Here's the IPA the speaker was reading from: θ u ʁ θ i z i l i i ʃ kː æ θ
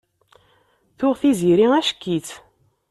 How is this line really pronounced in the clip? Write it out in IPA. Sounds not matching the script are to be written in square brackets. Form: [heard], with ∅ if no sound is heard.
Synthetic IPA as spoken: θ [ʊ] ʁ θ i z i [ɾ] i [æ] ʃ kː [i] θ

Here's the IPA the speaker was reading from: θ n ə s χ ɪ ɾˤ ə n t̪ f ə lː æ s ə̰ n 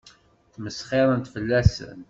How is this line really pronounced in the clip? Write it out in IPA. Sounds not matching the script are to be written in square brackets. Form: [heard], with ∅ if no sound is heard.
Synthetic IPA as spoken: θ [m] ə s χ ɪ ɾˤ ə n t̪ f ə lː æ s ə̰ n

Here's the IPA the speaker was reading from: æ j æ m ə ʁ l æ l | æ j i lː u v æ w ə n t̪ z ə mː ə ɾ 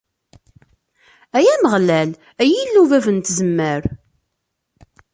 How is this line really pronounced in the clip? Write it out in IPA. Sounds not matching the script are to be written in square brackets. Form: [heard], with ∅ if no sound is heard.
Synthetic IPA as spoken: æ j æ m ə ʁ l æ l | æ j i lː u v æ [v] ə n t̪ z ə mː ə ɾ

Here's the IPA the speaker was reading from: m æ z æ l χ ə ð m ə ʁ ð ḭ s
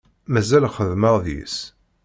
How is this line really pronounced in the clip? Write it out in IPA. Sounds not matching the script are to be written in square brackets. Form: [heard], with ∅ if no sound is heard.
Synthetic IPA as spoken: m æ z æ l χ ə ð m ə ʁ ð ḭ s

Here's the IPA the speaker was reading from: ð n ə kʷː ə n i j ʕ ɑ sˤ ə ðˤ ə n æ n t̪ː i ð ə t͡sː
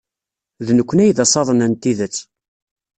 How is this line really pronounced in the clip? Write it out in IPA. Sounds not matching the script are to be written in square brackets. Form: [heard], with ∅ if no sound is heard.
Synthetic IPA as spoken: ð n ə kʷː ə n [æ] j [ð] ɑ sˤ [ɑ] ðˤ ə n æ n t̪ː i ð ə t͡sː

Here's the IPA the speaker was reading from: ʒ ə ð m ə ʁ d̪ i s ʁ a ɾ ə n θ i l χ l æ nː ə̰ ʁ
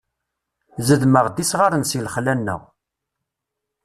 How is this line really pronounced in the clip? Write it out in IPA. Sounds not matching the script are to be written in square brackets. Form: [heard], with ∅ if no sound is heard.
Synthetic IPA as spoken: [z] ə ð m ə ʁ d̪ i s ʁ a ɾ ə n [s] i l χ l æ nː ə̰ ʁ

